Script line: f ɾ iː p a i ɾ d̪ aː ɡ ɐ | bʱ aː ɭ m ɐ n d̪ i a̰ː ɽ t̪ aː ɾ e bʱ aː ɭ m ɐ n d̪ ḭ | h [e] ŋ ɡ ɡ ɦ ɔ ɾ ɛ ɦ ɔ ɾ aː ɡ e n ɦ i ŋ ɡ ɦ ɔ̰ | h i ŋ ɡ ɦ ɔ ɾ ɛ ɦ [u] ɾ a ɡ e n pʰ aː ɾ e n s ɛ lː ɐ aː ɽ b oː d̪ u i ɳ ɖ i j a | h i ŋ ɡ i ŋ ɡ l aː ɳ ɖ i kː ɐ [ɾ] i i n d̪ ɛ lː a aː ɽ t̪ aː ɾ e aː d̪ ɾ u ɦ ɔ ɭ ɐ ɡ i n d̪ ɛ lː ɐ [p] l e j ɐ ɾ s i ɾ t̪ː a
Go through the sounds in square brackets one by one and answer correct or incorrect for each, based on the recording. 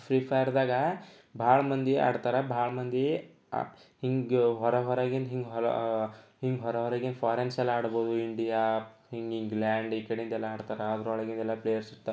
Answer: incorrect: i, incorrect: ɔ, incorrect: ɽ, correct

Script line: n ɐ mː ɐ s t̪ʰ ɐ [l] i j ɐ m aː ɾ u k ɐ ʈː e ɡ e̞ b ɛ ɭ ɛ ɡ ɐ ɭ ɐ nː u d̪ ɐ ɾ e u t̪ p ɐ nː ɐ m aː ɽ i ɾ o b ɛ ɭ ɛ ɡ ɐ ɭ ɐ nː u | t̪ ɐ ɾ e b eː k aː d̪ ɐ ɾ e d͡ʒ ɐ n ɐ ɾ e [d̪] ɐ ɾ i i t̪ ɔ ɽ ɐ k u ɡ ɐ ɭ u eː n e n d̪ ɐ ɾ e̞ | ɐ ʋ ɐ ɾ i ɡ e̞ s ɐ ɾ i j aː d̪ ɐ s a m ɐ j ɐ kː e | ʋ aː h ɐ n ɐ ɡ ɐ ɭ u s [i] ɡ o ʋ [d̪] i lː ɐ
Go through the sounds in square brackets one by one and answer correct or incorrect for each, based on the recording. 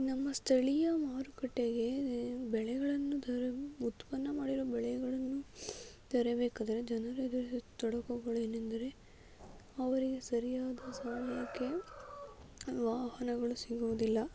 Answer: incorrect: ɭ, correct, correct, correct

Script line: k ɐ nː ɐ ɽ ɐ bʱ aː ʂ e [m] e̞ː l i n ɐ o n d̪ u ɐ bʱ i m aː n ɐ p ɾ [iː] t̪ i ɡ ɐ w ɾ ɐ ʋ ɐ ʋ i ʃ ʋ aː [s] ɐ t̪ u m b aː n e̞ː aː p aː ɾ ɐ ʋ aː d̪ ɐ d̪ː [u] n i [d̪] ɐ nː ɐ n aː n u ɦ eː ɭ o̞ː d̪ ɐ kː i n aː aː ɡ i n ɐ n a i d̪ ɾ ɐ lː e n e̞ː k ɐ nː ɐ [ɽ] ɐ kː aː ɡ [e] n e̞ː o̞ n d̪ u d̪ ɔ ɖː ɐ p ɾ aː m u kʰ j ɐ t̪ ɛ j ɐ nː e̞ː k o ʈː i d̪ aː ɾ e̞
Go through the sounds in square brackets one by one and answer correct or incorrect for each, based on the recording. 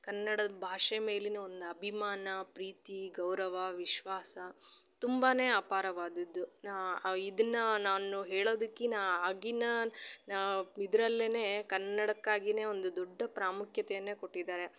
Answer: correct, correct, correct, correct, correct, correct, incorrect: i

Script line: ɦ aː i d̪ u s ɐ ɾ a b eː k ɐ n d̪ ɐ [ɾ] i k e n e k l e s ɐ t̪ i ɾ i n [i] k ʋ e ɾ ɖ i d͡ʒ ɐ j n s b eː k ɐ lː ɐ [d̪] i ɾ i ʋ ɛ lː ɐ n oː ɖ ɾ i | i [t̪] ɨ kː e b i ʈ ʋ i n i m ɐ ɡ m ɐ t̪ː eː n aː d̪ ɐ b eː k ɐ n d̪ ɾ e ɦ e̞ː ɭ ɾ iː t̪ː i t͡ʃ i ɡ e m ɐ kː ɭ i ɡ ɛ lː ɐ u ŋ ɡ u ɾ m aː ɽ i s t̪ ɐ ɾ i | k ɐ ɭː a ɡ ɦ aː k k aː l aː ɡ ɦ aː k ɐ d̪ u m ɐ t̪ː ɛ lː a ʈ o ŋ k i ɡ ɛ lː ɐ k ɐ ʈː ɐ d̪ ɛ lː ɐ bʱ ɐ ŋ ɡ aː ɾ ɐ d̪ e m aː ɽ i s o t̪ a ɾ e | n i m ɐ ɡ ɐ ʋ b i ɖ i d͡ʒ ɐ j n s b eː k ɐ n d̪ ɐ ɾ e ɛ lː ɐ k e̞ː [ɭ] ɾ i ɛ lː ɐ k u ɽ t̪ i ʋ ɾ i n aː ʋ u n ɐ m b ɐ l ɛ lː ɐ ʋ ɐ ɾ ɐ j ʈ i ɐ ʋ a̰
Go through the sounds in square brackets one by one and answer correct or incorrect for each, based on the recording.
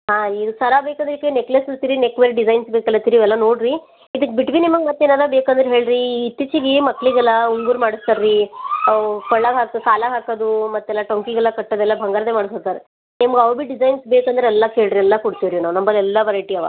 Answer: correct, incorrect: e, incorrect: t̪, incorrect: d̪, correct

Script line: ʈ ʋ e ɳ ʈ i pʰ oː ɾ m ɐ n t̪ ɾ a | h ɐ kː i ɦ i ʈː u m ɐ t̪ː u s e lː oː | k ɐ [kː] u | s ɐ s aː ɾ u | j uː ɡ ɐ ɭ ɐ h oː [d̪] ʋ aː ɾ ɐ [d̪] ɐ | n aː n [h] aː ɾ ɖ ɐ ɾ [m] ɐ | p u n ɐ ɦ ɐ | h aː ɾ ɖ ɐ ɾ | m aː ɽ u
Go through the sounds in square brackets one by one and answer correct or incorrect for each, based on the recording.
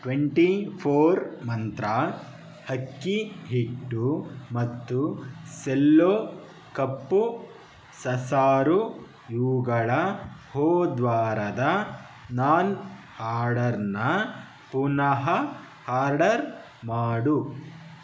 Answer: incorrect: pː, correct, correct, correct, incorrect: n

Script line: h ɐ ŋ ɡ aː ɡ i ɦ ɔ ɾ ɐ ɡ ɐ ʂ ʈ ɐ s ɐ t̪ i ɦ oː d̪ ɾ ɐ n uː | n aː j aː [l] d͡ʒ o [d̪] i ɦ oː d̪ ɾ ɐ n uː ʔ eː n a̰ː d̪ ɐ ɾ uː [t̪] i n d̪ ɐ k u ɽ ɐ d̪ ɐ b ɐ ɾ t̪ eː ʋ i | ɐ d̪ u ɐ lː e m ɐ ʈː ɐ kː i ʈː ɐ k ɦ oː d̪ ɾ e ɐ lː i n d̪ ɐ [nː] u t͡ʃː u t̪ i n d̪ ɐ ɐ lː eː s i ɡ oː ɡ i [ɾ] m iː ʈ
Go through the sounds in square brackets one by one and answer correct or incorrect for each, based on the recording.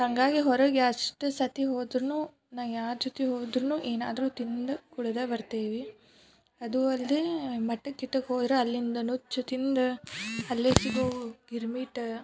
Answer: incorrect: ɾ, incorrect: t̪, correct, incorrect: n, correct

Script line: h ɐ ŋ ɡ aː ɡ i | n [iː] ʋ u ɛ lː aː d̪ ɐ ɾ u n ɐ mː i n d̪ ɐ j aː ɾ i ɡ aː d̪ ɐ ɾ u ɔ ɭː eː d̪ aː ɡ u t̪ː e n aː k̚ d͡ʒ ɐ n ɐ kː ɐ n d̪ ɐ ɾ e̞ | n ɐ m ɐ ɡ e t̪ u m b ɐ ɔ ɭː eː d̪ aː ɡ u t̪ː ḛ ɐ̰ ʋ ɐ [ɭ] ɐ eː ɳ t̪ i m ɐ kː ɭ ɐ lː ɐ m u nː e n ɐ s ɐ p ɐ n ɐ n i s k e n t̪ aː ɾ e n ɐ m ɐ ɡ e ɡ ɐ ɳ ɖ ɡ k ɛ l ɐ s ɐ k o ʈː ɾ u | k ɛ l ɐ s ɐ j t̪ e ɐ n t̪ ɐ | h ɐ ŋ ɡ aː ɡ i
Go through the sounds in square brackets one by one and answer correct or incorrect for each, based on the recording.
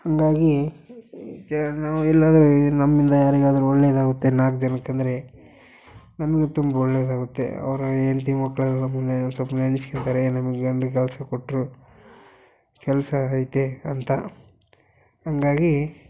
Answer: incorrect: aː, incorrect: ɾ

